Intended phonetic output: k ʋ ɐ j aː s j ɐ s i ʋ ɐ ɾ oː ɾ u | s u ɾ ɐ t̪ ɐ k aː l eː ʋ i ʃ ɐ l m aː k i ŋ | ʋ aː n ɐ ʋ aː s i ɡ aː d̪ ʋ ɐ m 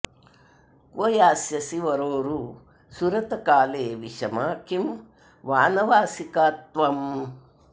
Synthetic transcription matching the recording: k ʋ ɐ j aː s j ɐ s i ʋ ɐ ɾ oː ɾ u | s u ɾ ɐ t̪ ɐ k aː l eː ʋ i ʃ ɐ m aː k i m | ʋ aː n ɐ ʋ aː s i k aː t̪ ʋ ɐ m

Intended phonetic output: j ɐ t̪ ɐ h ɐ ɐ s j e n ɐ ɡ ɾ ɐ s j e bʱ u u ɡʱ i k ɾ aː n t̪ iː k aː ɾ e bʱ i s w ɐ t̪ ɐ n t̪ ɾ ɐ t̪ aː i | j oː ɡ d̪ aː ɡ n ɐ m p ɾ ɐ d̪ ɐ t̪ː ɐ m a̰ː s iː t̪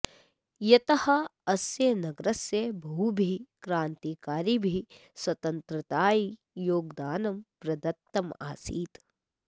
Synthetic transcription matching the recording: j ɐ t̪ ɐ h ɐ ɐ s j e n ɐ ɡ ɾ ɐ s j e bʱ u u bʱ i k ɾ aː n t̪ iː k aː ɾ i bʱ i s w ɐ t̪ ɐ n t̪ ɾ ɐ t̪ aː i | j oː ɡ d̪ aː n ɐ m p ɾ ɐ d̪ ɐ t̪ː ɐ m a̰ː s iː t̪

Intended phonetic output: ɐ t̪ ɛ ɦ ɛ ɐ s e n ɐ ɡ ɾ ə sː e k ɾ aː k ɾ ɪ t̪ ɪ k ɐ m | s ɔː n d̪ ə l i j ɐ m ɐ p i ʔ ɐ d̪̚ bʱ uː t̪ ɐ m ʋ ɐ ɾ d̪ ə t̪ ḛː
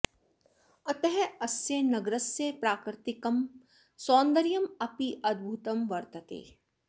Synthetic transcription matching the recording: ɐ t̪ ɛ ɦ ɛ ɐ s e n ɐ ɡ ɾ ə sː e p ɾ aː k ɾ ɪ t̪ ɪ k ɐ m | s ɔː n d̪ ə ɾ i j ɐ m ɐ p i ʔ ɐ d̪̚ bʱ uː t̪ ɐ m ʋ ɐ ɾ t̪ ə t̪ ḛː

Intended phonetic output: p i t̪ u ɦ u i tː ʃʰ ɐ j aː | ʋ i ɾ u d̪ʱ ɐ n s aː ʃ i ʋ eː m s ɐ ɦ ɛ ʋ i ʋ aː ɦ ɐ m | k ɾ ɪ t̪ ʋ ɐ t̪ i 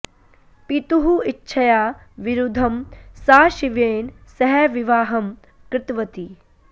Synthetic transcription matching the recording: p i t̪ u ɦ u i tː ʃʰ ɐ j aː | ʋ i ɾ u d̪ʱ ɐ m s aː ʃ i ʋ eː n s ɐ ɦ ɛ ʋ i ʋ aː ɦ ɐ m | k ɾ ɪ t̪ ʋ ɐ t̪ i

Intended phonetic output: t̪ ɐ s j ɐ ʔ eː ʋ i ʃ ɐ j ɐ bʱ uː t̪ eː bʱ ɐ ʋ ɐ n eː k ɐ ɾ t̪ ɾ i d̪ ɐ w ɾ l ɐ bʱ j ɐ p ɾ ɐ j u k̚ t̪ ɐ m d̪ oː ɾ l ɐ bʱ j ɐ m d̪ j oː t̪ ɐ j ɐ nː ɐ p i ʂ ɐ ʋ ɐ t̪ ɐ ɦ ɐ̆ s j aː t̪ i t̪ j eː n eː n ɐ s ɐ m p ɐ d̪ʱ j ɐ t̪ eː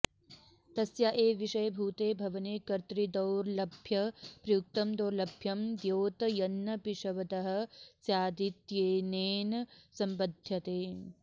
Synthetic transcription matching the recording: t̪ ɐ s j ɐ ʔ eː ʋ i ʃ ɐ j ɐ bʱ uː t̪ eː bʱ ɐ ʋ ɐ n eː k ɐ ɾ t̪ ɾ i d̪ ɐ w ɾ l ɐ bʱ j ɐ p ɾ ɐ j u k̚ t̪ ɐ m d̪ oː ɾ l ɐ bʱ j ɐ m d̪ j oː t̪ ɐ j ɐ nː ɐ p i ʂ ɐ ʋ ɐ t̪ ɐ ɦ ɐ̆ s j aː d̪ i t̪ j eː n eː n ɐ s ɐ m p ɐ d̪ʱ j ɐ t̪ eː

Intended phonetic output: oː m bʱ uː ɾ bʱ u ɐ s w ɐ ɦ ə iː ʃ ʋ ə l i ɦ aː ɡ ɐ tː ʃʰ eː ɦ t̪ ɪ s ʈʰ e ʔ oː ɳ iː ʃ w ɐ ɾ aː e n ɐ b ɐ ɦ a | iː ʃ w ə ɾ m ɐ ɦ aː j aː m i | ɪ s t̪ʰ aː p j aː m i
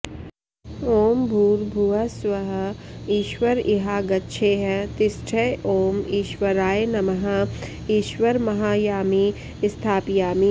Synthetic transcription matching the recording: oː m bʱ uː ɾ bʱ u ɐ s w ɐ ɦ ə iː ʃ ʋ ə ɾ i ɦ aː ɡ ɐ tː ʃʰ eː ɦ t̪ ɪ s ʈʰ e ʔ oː m iː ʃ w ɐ ɾ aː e n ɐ m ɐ ɦ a | iː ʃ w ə ɾ m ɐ ɦ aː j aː m i | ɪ s t̪ʰ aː p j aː m i

